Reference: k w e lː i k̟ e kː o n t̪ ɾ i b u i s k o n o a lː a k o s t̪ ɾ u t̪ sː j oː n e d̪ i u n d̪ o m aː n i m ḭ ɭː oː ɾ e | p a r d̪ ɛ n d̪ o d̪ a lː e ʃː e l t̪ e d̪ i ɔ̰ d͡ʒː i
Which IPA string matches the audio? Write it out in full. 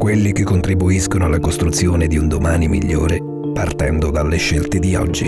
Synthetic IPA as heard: k w e lː i k̟ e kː o n t̪ ɾ i b u i s k o n o a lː a k o s t̪ ɾ u t̪ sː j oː n e d̪ i u n d̪ o m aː n i m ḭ ʎː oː ɾ e | p a r t̪ ɛ n d̪ o d̪ a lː e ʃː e l t̪ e d̪ i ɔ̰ d͡ʒː i